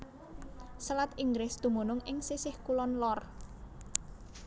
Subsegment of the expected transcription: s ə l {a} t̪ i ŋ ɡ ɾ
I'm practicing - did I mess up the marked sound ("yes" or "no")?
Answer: no